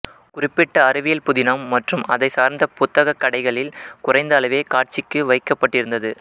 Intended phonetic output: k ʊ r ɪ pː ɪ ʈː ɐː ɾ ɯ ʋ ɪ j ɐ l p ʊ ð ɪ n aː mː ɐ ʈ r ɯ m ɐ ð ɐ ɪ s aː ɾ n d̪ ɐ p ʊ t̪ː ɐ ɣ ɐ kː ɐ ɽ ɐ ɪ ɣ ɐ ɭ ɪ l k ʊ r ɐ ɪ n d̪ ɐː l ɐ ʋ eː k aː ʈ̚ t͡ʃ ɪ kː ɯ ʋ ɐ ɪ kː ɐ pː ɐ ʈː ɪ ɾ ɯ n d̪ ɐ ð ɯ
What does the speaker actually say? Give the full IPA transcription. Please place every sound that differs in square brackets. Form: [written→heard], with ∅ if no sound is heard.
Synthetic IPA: k ʊ r ɪ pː ɪ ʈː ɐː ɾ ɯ ʋ ɪ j ɐ l p ʊ ð ɪ n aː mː ɐ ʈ r ɯ m ɐ ð ɐ ɪ s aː ɾ n d̪ ɐ p ʊ t̪ː ɐ ɣ ɐ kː ɐ ɽ ɐ ɪ ɣ ɐ ɭ ɪ l k ʊ r ɐ ɪ n d̪ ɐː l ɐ ʋ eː k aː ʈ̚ t͡ʃ ɪ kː ɯ ʋ ɐ ɪ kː ɐ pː ɐ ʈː ɪ ɾ ɯ n d̪ ɐ ð ɯ